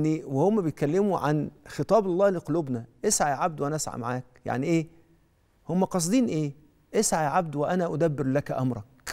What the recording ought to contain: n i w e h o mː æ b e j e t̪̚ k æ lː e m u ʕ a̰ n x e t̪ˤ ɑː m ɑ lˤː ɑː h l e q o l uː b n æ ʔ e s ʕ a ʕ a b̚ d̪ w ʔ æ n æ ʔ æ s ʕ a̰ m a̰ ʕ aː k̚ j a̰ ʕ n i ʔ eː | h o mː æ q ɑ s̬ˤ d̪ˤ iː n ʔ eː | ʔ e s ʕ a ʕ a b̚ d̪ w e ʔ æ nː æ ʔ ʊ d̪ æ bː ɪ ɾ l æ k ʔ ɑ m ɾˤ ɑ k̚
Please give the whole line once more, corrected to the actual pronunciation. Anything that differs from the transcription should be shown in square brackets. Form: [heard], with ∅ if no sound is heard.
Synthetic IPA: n i w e h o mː æ b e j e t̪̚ k æ lː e m u ʕ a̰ n x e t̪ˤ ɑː [b] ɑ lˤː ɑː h l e q o l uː b n æ ʔ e s ʕ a ʕ a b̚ d̪ w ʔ æ n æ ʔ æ s ʕ a̰ m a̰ ʕ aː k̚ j a̰ ʕ n i ʔ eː | h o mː æ q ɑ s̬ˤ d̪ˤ iː n ʔ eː | ʔ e s ʕ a ʕ a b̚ d̪ w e ʔ æ [n] æ ʔ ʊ d̪ æ bː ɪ ɾ l æ k ʔ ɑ m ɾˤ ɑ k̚